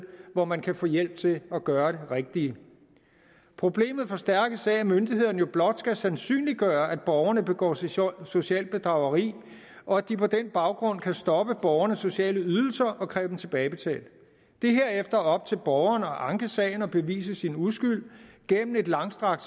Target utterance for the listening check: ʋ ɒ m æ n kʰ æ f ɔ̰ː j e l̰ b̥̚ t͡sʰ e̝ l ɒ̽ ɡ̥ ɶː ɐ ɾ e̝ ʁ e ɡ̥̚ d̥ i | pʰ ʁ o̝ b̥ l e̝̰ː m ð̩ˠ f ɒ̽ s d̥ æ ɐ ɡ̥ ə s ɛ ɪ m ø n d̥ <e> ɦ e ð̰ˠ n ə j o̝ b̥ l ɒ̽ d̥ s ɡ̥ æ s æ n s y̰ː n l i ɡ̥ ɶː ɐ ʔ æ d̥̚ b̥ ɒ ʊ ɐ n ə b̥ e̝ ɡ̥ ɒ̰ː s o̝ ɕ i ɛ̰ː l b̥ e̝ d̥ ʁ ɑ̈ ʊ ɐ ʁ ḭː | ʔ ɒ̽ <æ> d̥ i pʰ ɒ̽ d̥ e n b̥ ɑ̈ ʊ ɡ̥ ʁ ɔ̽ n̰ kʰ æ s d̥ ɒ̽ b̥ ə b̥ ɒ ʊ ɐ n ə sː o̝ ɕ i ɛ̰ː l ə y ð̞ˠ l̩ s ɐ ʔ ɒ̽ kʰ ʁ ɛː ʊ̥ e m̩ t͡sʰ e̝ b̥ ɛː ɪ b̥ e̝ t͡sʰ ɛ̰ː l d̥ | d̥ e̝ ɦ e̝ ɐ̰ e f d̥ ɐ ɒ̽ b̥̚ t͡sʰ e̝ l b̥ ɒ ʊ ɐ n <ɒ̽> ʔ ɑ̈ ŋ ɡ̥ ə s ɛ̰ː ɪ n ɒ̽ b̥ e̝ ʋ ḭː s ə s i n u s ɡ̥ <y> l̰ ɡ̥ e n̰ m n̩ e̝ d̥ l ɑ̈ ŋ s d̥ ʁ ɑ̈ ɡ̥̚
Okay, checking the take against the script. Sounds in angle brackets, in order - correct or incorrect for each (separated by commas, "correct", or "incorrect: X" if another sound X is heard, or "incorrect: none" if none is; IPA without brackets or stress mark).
incorrect: i, correct, correct, correct